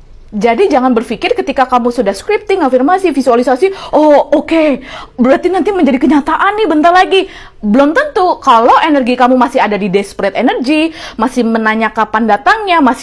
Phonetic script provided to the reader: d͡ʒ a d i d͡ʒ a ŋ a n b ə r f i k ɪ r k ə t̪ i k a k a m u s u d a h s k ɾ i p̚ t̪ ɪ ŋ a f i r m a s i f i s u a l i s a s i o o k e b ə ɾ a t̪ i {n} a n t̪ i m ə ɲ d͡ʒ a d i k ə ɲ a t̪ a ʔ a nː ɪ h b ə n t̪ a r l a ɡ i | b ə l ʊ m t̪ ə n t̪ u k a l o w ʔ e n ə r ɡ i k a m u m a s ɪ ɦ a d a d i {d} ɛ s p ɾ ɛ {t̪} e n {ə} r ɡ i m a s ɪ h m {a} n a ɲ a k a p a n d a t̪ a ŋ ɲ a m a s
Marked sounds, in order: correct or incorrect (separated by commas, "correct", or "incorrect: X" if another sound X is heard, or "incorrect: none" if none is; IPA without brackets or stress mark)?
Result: correct, correct, correct, correct, incorrect: ə